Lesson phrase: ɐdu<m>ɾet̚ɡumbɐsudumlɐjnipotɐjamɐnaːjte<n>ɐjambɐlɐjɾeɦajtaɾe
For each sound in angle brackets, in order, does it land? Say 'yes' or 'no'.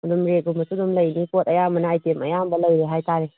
yes, no

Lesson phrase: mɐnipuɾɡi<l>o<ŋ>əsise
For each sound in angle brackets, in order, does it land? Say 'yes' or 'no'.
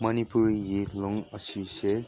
yes, yes

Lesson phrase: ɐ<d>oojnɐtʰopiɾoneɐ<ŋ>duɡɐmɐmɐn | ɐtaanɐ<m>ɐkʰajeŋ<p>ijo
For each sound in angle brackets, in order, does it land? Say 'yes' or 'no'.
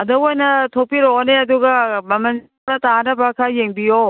yes, no, no, no

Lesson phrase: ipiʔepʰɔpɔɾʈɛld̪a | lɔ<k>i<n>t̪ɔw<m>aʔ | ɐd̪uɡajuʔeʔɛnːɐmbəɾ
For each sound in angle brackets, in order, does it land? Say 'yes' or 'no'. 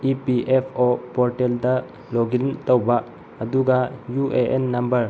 no, yes, no

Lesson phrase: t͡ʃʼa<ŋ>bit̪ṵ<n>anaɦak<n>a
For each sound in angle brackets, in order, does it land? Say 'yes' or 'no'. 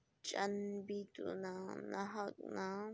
no, yes, yes

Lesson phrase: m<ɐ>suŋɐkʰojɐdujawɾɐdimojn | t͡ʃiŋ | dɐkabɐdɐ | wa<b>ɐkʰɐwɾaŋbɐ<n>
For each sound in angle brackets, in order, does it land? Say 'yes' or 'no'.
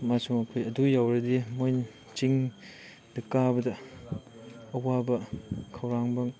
no, yes, no

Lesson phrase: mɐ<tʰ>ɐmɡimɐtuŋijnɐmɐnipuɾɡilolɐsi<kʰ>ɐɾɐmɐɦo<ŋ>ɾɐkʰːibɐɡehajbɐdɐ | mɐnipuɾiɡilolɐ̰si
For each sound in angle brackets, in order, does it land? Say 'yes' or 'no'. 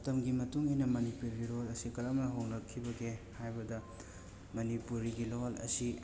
no, no, yes

